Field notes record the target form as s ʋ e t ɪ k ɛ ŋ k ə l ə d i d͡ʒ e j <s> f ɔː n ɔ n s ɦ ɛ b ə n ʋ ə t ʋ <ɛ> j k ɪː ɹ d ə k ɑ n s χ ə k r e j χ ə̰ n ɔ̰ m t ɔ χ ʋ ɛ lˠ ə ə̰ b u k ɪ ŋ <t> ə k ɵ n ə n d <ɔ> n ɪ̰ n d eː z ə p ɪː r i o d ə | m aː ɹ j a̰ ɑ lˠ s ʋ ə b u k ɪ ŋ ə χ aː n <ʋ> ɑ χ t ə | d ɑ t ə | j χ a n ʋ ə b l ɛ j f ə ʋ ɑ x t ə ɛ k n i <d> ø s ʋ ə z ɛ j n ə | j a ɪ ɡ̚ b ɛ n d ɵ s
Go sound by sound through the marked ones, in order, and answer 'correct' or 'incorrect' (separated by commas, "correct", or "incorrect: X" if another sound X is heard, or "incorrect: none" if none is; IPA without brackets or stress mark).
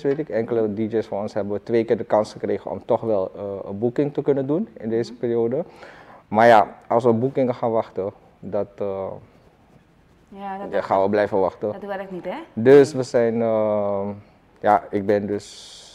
correct, incorrect: e, correct, incorrect: u, correct, correct